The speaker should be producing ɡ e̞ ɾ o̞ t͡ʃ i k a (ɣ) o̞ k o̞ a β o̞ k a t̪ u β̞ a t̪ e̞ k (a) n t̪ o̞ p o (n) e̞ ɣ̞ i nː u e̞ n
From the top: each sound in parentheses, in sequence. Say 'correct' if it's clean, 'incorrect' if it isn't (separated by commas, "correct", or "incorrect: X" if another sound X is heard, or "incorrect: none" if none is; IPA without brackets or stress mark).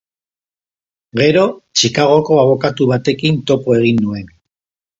correct, incorrect: i, incorrect: none